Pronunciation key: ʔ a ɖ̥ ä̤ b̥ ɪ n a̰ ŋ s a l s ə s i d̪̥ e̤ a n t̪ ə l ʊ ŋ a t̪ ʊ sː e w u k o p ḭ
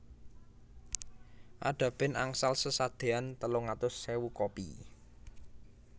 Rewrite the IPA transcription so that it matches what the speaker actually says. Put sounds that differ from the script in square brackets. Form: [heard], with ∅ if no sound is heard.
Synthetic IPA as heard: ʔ a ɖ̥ ä̤ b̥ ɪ n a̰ ŋ s a l s ə s [a] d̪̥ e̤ a n t̪ ə l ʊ ŋ a t̪ ʊ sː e w u k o p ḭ